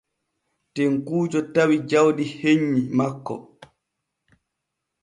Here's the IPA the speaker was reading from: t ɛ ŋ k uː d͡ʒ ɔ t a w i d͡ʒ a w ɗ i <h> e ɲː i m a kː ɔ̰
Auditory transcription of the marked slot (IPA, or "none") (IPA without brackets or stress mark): h